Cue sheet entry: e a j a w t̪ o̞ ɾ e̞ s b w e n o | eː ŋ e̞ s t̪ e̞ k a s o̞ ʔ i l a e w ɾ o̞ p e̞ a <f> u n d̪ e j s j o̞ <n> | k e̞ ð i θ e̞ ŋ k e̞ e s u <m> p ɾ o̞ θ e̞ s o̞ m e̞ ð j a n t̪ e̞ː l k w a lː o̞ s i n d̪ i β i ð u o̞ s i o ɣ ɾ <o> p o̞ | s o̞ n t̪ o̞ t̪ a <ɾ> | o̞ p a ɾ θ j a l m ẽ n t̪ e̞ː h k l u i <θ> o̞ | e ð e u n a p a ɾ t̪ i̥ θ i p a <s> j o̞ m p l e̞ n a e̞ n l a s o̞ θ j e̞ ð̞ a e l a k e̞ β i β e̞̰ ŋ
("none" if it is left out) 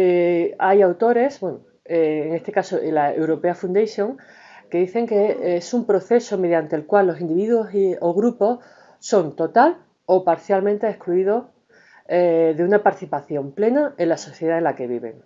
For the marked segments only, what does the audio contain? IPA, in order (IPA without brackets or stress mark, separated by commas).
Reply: f, ŋ, m, u, l, ð, θ